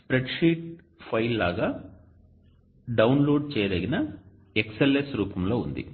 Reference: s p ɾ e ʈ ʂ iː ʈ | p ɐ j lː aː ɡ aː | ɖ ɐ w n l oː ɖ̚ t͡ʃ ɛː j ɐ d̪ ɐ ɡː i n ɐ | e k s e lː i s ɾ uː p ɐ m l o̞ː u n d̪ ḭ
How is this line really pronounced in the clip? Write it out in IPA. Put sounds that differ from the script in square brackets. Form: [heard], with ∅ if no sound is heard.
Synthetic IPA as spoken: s p ɾ e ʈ ʂ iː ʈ | [pʰ] ɐ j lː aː ɡ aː | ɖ ɐ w n l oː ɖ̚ t͡ʃ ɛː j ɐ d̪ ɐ [ɡ] i n ɐ | e k s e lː [e] s ɾ uː p ɐ m l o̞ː u n d̪ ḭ